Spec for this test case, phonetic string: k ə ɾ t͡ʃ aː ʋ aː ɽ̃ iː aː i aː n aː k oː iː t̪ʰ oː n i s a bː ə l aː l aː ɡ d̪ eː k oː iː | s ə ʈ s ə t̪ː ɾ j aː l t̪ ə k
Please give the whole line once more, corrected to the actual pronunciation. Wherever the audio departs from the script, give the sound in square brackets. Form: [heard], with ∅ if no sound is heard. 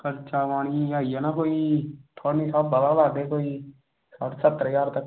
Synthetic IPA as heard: k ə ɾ t͡ʃ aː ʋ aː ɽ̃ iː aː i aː n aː k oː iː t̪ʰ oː n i s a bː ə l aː l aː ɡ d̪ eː k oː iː | s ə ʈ s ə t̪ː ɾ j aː [ɾ] t̪ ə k

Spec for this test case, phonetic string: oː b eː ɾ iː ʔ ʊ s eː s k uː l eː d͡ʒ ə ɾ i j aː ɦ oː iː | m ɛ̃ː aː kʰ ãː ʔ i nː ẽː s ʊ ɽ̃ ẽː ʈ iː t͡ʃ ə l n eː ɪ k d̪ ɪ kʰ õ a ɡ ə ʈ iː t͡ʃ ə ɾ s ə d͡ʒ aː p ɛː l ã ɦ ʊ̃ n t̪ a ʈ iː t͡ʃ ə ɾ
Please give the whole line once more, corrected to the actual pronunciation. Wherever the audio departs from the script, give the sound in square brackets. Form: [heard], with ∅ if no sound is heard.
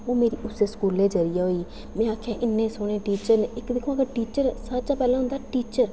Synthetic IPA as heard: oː [m] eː ɾ iː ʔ ʊ s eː s k uː l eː d͡ʒ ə ɾ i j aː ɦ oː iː | m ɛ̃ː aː kʰ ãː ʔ [ɪ] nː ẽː s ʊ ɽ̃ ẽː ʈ iː t͡ʃ ə [ɾ] n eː ɪ k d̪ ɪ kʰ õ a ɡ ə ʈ iː t͡ʃ ə ɾ s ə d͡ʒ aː p ɛː l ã ɦ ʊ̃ n [d̪] a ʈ iː t͡ʃ ə ɾ

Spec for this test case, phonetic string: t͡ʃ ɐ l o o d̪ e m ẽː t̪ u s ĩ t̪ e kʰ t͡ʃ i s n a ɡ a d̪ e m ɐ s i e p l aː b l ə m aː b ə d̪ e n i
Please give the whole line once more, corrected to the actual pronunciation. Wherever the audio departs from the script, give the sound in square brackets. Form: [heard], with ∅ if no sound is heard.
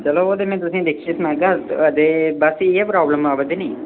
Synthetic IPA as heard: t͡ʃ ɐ l o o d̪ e m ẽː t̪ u s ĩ [d̪] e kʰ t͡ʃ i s n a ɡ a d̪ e [b] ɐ s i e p [ɾ] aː b l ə m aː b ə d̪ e n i

